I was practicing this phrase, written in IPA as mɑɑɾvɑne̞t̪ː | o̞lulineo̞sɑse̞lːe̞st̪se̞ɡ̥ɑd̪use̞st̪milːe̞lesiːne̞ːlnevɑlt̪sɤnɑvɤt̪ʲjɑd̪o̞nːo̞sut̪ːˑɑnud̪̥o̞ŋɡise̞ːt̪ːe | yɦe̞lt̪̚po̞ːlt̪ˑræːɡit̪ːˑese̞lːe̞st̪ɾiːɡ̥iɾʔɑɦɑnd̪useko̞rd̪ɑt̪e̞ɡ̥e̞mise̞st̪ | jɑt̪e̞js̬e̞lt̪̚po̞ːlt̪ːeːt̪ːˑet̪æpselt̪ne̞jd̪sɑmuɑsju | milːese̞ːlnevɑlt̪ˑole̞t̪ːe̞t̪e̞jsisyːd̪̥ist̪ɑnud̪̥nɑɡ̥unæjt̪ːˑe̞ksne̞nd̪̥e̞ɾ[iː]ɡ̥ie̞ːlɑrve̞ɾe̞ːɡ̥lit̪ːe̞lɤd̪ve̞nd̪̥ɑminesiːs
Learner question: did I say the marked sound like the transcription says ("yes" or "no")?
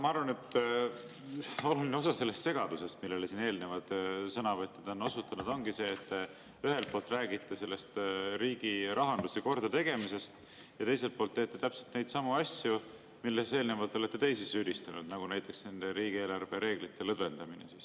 yes